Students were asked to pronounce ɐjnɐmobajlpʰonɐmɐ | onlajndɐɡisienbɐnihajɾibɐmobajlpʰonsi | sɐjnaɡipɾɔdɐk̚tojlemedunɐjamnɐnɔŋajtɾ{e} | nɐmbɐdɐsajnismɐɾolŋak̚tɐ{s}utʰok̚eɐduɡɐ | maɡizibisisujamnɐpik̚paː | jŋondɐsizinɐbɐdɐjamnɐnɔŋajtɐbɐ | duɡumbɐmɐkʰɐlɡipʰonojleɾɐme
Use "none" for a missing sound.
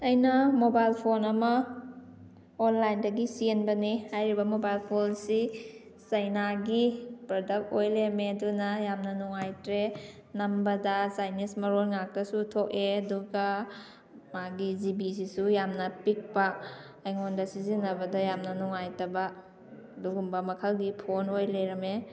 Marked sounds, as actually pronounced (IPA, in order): e, s

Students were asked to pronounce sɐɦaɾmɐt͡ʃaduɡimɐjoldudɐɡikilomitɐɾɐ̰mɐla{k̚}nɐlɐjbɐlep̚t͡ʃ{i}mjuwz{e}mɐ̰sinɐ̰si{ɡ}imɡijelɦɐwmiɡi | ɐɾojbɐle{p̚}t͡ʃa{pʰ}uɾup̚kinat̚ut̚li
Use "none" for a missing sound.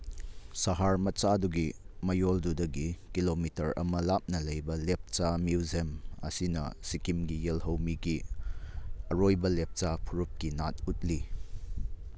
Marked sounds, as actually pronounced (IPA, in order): p̚, a, e, k, p̚, pʰ

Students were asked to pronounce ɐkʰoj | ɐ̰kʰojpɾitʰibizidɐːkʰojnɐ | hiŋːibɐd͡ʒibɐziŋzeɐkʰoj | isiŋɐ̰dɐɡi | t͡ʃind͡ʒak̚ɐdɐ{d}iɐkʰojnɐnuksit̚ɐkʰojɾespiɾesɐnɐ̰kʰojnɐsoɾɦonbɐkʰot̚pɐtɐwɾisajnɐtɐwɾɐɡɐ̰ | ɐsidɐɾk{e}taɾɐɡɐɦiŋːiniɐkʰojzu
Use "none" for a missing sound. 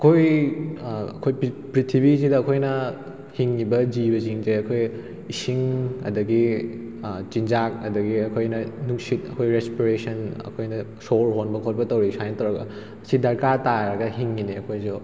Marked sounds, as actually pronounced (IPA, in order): ɡ, a

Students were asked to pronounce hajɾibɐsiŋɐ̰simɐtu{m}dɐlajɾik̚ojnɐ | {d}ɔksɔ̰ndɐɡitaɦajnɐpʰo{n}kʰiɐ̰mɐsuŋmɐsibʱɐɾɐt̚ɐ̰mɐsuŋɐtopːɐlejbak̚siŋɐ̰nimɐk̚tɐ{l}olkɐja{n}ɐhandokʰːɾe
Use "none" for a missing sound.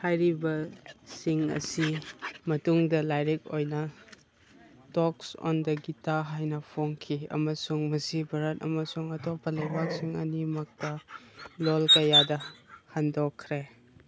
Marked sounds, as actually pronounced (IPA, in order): ŋ, t, ŋ, l, d

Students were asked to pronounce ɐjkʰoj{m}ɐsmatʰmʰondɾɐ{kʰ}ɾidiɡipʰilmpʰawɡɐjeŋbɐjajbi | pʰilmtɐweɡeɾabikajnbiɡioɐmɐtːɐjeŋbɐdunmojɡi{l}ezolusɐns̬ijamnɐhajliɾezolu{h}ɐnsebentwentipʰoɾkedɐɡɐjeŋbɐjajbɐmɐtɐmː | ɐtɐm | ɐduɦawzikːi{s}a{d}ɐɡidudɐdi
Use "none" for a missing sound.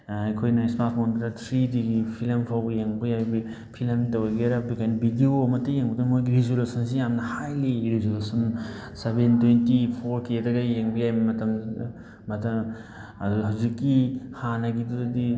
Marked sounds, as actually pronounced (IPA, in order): n, tʰ, ɾ, s, h, n

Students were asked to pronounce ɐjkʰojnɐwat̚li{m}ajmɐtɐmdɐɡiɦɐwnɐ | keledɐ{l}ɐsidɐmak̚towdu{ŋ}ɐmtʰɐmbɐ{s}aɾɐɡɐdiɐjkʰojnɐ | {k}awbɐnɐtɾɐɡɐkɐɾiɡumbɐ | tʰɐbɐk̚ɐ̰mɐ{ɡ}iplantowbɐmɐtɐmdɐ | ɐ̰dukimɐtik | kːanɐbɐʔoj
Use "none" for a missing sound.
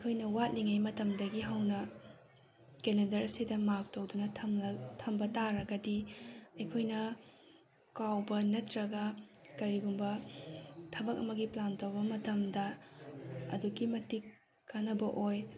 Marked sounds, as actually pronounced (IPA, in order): ŋ, ɾ, n, t, k, ɡ

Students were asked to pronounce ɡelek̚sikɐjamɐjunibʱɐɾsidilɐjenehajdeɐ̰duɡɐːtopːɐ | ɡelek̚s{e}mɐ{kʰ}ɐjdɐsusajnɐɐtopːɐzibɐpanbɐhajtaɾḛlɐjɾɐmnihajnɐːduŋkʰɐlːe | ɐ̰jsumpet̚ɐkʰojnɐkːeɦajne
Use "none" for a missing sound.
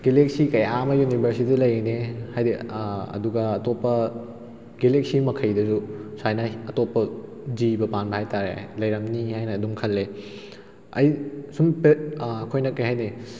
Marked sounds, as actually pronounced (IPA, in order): i, kʰ

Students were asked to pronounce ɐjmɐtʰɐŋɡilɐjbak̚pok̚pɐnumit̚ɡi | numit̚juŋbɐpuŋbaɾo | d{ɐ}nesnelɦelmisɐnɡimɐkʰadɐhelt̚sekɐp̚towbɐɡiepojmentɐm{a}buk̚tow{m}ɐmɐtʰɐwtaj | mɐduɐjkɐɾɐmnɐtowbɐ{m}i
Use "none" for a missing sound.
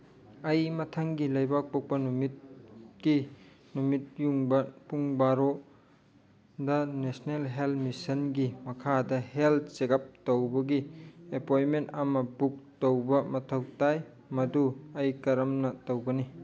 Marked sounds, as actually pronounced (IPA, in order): ɐ, ɐ, b, n

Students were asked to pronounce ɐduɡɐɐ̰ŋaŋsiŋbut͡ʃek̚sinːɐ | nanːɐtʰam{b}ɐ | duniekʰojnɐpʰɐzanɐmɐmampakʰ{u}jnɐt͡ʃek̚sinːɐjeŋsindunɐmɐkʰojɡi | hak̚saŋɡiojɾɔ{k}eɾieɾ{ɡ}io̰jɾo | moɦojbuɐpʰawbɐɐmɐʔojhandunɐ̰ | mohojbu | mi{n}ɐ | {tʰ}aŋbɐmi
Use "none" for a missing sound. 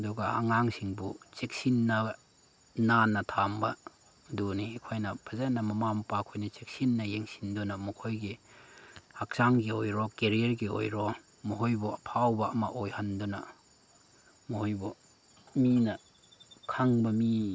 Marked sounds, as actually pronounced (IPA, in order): b, o, k, ɡ, n, kʰ

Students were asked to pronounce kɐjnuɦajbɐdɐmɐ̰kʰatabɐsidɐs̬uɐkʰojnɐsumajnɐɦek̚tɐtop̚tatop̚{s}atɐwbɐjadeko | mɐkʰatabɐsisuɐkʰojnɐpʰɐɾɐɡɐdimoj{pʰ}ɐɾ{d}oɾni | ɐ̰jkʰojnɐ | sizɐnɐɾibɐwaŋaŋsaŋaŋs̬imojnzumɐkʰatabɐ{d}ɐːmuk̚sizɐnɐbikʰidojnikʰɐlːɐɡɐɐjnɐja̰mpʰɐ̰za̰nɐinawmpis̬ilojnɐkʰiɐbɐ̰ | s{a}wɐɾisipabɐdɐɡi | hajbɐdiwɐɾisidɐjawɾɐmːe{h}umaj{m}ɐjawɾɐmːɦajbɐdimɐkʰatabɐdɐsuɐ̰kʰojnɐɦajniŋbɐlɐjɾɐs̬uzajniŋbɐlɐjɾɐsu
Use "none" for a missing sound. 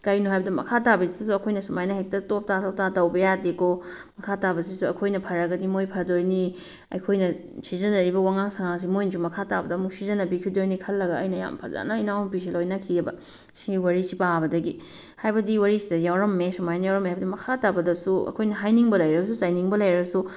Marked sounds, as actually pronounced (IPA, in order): t, pʰ, d, d, i, s, n

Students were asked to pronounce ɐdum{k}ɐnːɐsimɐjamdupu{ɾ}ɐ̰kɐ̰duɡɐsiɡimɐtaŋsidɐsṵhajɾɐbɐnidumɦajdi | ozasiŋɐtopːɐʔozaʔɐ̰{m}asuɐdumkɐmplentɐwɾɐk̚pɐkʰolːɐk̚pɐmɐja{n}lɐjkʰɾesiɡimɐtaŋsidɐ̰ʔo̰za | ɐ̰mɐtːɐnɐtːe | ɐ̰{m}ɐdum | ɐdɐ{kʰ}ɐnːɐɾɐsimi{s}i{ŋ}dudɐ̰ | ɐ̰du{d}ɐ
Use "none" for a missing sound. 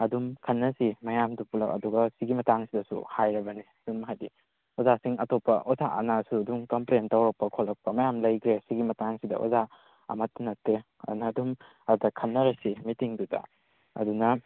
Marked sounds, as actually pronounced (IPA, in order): kʰ, l, n, m, n, kʰ, t, ŋ, n

